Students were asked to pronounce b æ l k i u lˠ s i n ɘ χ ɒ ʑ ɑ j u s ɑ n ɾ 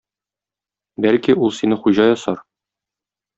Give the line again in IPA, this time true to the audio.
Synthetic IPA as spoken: b æ l k i u lˠ s i n ɘ χ u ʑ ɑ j ɒ s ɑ ɾ